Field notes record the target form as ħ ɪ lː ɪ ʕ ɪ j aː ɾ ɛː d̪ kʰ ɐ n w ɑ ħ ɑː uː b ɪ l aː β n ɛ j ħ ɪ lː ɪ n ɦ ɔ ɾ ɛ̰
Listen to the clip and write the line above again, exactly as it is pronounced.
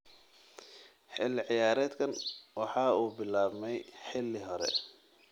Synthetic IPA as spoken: ħ ɪ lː ɪ ʕ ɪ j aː ɾ ɛː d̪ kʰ ɐ n w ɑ ħ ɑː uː b ɪ l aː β m ɛ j ħ ɪ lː ɪ ɦ ɔ ɾ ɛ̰